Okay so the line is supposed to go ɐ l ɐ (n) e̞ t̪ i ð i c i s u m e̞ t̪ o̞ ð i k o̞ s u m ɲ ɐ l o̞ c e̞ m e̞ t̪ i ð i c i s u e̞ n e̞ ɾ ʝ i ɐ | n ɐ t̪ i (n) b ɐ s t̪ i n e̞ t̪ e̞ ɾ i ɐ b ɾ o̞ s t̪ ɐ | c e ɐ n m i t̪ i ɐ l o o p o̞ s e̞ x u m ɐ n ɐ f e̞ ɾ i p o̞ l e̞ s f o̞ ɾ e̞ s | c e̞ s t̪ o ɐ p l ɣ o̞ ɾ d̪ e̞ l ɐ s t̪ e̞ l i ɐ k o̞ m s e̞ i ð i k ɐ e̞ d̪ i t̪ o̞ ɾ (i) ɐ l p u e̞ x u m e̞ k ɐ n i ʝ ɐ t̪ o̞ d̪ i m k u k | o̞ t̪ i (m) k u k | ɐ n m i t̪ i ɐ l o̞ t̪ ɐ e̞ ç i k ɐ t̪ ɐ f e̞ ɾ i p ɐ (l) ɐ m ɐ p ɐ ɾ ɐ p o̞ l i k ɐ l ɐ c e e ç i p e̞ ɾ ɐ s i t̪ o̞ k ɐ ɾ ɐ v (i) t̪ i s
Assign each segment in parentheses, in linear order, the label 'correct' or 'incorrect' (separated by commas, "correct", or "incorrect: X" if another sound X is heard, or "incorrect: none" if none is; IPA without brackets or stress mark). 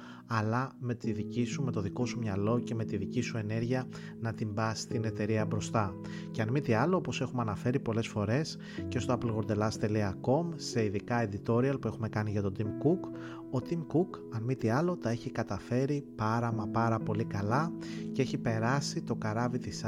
incorrect: m, incorrect: m, correct, correct, incorrect: ɾ, correct